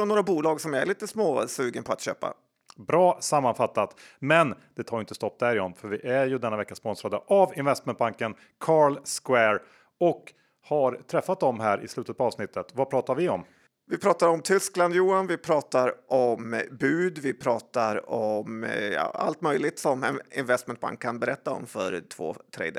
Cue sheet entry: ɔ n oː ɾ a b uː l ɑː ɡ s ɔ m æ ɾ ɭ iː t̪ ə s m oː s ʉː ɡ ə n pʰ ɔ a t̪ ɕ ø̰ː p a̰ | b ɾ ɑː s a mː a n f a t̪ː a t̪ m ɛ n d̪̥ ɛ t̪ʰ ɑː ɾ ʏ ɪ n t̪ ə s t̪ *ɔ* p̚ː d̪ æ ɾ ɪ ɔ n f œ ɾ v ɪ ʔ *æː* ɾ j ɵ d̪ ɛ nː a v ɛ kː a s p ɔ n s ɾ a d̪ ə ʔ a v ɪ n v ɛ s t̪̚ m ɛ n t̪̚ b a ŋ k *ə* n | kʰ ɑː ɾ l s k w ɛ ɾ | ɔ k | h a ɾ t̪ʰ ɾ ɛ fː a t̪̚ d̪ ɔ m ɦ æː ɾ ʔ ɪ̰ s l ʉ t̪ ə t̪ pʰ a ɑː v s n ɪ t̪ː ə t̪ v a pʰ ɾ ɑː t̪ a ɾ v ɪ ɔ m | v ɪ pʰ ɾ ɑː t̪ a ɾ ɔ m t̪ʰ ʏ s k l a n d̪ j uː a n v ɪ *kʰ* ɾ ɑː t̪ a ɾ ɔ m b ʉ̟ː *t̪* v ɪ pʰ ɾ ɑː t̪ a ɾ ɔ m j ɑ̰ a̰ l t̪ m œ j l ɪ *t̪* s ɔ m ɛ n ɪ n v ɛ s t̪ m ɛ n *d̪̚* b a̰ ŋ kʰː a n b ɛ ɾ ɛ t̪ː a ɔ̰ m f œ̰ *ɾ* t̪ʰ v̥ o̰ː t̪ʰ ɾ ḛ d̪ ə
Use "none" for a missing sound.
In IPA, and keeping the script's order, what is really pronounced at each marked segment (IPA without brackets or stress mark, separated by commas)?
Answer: ɔ, æ, ə, pʰ, d̪, t̪, t̪̚, ɾ